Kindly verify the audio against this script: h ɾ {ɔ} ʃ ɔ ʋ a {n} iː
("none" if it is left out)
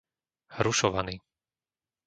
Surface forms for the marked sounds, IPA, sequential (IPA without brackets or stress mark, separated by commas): u, n